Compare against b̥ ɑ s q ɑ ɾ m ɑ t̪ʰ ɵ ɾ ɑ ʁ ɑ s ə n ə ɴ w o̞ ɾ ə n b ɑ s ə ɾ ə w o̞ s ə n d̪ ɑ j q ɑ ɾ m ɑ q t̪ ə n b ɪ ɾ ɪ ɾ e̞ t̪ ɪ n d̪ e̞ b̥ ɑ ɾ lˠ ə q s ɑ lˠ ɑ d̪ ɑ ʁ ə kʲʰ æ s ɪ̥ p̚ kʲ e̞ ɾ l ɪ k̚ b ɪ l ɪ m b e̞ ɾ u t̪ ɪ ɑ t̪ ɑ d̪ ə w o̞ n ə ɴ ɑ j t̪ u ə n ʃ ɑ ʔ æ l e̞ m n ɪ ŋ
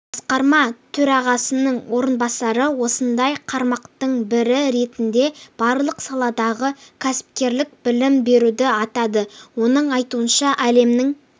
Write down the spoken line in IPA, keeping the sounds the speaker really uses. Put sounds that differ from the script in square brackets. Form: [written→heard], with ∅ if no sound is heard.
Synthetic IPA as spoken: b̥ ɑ s q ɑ ɾ m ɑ t̪ʰ ɵ ɾ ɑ ʁ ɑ s ə n ə ɴ w o̞ ɾ ə n b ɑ s [ə→ɑ] ɾ ə w o̞ s ə n d̪ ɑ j [q→qʰ] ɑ ɾ m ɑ q t̪ ə [n→ɴ] b ɪ ɾ ɪ ɾ e̞ t̪ ɪ n d̪ e̞ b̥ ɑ ɾ lˠ ə q s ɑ lˠ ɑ d̪ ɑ ʁ ə kʲʰ æ s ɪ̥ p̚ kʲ e̞ ɾ l ɪ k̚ b ɪ l ɪ m b e̞ ɾ u [t̪→d̪] ɪ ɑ t̪ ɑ d̪ ə w o̞ n ə ɴ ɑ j t̪ u ə n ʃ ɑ ʔ æ l e̞ m n ɪ ŋ

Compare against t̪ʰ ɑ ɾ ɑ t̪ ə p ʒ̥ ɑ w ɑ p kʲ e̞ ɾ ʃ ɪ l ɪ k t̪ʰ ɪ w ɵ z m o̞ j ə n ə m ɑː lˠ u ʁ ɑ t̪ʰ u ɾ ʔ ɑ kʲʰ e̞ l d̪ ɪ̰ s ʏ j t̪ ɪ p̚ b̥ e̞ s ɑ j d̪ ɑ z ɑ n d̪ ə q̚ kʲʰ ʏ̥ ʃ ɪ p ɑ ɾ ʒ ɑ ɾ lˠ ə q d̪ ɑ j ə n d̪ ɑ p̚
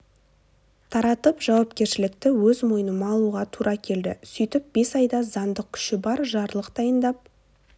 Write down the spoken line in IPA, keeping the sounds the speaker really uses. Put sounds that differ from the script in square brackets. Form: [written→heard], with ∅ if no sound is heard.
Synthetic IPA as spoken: t̪ʰ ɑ ɾ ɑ t̪ ə p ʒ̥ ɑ w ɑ p kʲ e̞ ɾ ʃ ɪ l ɪ k [t̪ʰ→t̪] ɪ w ɵ z m o̞ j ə n ə m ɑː lˠ u ʁ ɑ t̪ʰ u ɾ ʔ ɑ kʲʰ e̞ l d̪ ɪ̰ s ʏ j t̪ ɪ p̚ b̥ e̞ s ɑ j d̪ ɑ z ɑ n d̪ ə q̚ kʲʰ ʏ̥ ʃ ɪ [p→b] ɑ ɾ ʒ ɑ ɾ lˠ ə q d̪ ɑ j ə n d̪ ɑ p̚

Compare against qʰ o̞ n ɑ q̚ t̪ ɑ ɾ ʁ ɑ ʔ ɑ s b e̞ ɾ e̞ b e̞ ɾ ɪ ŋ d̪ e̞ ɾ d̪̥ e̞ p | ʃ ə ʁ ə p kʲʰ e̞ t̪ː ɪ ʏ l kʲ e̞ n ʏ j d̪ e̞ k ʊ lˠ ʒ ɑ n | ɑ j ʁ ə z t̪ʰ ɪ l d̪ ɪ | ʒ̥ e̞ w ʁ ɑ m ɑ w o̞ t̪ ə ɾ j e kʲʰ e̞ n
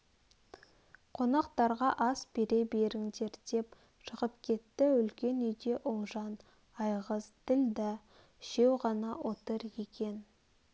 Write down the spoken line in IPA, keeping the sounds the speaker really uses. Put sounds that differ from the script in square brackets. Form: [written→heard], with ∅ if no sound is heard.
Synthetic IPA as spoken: qʰ o̞ n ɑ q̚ t̪ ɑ ɾ ʁ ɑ ʔ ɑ s b e̞ ɾ e̞ b e̞ ɾ ɪ ŋ d̪ e̞ ɾ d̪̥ e̞ p | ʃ ə ʁ ə p kʲʰ e̞ t̪ː ɪ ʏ l kʲ e̞ n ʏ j d̪ e̞ [k→ʔ] ʊ lˠ ʒ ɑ n | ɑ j ʁ ə z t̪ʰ ɪ l d̪ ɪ | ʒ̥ e̞ w ʁ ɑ [m→n] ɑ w o̞ t̪ ə ɾ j e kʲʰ e̞ n

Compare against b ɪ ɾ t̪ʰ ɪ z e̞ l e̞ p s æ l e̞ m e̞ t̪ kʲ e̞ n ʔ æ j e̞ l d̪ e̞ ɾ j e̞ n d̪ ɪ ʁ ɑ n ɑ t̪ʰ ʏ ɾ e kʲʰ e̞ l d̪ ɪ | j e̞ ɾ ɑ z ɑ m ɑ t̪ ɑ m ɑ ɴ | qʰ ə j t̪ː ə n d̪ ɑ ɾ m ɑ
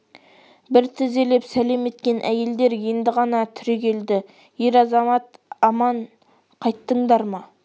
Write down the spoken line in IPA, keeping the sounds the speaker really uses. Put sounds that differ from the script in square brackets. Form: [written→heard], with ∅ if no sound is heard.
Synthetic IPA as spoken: b ɪ ɾ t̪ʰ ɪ z e̞ l e̞ p s æ l e̞ m e̞ t̪ kʲ e̞ n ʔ æ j e̞ l d̪ e̞ ɾ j e̞ n d̪ ɪ ʁ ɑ n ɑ t̪ʰ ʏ ɾ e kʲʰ e̞ l d̪ ɪ | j e̞ ɾ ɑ z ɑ m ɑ t̪ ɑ m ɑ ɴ | qʰ [ə→ɑ] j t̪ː ə [n→ɴ] d̪ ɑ ɾ m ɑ

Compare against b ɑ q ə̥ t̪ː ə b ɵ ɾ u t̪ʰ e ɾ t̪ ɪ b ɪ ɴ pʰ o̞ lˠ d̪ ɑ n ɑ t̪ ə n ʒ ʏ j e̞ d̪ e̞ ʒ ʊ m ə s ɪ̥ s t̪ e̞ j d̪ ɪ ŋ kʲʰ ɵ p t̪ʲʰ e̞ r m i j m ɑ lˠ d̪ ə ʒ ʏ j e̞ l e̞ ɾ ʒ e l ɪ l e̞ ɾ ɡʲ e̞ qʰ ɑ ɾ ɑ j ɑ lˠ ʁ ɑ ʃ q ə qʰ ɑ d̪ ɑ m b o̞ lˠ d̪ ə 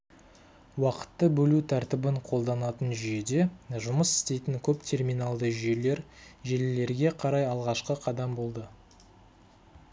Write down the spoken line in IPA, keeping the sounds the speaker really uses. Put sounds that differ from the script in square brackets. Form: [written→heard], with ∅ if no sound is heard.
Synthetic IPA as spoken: [b→w] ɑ q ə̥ t̪ː ə b ɵ [ɾ→l] u t̪ʰ [e→æ] ɾ t̪ ɪ b ɪ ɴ [pʰ→qʰ] o̞ lˠ d̪ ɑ n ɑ t̪ ə n ʒ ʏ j e̞ d̪ e̞ ʒ ʊ m ə s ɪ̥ s t̪ e̞ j [d̪→t̪] ɪ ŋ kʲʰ ɵ p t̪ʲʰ e̞ r m i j [m→n] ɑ lˠ d̪ ə ʒ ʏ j e̞ l e̞ ɾ ʒ e l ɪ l e̞ ɾ ɡʲ e̞ qʰ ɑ ɾ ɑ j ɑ lˠ ʁ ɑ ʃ q ə qʰ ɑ d̪ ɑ m b o̞ lˠ d̪ ə

